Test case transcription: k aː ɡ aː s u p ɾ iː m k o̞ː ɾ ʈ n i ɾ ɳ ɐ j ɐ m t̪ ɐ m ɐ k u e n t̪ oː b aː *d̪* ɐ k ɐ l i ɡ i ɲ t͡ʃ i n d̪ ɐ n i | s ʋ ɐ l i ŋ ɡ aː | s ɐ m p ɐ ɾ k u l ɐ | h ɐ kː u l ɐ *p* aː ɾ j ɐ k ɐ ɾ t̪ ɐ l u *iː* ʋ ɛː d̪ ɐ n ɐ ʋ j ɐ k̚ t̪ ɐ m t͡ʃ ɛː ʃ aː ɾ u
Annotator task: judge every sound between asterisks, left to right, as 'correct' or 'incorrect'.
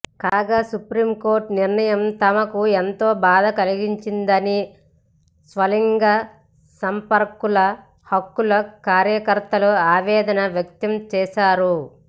correct, incorrect, incorrect

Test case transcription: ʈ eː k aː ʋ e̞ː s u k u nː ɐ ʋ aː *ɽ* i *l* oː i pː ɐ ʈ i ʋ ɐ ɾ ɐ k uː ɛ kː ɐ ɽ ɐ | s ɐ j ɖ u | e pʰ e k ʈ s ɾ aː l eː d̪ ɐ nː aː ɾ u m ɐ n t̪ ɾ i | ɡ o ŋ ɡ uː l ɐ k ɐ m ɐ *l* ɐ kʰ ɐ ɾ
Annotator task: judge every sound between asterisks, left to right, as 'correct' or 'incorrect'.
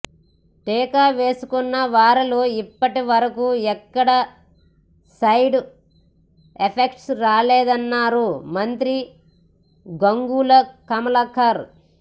incorrect, correct, correct

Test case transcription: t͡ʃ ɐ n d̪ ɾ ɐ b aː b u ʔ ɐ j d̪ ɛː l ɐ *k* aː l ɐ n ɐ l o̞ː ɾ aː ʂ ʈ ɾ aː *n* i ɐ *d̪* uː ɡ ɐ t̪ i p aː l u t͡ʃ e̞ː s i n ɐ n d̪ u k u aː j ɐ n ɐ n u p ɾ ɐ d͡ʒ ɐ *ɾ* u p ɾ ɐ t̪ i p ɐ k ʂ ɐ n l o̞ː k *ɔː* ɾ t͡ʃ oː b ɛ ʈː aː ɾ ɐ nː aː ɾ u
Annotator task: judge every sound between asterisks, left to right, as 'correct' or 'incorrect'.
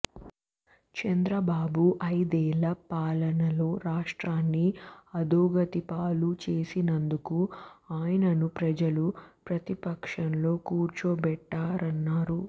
incorrect, incorrect, correct, incorrect, incorrect

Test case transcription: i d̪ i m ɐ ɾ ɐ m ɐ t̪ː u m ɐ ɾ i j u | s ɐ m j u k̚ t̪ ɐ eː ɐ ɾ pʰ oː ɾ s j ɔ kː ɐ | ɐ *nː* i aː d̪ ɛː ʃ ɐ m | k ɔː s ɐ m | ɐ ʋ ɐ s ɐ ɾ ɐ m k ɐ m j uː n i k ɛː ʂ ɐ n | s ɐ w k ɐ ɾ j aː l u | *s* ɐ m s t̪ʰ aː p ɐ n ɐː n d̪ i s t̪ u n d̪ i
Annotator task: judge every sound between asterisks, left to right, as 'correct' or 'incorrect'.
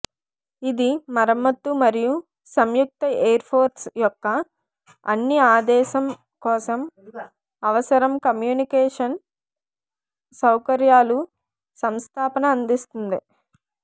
correct, correct

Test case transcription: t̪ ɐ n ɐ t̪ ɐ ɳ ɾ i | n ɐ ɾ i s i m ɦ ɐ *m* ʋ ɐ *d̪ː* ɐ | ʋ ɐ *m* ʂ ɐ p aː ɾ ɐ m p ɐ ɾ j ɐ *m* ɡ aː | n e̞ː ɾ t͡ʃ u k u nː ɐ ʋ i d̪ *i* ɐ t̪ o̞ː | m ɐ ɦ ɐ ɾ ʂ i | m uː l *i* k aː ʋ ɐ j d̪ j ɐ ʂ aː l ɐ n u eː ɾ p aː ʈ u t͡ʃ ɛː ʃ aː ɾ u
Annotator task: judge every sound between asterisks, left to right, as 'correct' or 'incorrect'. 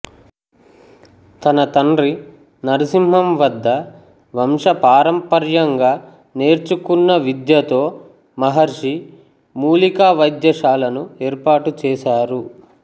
correct, correct, correct, incorrect, incorrect, correct

